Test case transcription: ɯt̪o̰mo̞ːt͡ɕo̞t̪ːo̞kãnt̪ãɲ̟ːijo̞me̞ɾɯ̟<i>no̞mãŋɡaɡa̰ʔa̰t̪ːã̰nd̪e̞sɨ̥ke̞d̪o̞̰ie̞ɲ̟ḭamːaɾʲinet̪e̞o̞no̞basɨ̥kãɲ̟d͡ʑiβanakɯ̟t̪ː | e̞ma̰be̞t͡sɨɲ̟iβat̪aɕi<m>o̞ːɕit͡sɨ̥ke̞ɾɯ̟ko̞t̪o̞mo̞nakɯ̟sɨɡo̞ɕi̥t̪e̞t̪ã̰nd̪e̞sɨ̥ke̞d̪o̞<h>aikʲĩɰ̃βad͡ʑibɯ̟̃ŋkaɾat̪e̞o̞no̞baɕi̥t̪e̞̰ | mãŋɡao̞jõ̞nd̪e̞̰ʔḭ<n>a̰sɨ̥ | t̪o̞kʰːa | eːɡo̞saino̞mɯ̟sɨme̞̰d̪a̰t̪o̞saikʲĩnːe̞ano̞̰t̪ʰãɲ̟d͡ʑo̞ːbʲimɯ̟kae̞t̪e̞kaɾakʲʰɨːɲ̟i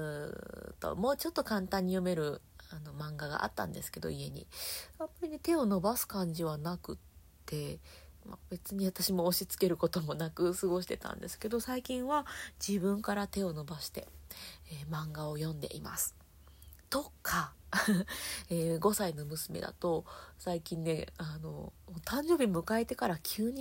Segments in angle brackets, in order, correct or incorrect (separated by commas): incorrect, correct, incorrect, incorrect